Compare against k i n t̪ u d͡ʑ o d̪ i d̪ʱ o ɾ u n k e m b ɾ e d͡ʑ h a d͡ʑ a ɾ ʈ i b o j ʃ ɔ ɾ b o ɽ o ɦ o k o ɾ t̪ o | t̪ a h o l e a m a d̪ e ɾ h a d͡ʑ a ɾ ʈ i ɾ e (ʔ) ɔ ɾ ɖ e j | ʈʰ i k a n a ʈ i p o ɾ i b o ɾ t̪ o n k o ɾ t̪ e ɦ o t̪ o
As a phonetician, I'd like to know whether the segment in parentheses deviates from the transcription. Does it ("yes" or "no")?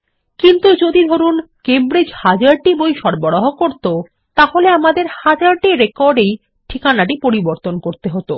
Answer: yes